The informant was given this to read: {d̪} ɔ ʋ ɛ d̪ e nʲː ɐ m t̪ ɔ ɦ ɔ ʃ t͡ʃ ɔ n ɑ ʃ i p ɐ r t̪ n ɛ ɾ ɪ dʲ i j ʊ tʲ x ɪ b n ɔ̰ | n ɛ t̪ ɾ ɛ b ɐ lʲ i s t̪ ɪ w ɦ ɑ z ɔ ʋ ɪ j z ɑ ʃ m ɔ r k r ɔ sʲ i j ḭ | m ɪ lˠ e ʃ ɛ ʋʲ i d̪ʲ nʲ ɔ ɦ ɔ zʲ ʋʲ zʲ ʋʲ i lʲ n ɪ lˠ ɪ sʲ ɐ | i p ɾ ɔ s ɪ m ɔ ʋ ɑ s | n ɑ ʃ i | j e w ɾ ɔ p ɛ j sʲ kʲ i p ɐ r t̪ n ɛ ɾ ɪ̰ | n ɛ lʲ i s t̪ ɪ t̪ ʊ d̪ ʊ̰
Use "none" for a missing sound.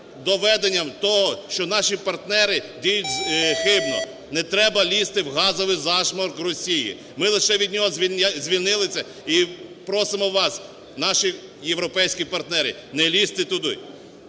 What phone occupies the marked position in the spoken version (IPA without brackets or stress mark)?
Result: d̪